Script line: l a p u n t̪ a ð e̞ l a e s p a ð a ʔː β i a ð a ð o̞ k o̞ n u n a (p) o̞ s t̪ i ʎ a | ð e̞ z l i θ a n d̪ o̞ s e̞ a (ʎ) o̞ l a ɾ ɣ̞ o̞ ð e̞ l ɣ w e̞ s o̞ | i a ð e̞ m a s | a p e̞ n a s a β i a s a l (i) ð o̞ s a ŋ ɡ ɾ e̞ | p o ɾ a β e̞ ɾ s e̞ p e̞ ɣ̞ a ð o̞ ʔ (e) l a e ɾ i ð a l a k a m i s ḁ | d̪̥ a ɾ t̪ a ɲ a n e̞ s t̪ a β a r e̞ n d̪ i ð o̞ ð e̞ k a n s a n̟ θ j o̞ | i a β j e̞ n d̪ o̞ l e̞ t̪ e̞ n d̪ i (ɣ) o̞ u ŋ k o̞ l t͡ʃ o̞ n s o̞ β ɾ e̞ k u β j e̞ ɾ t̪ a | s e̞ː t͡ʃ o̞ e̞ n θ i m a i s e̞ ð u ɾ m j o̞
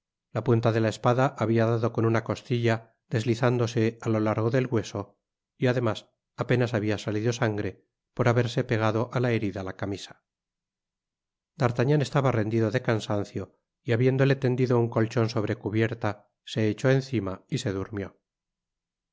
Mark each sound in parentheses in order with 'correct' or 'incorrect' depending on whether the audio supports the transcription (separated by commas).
incorrect, incorrect, correct, incorrect, incorrect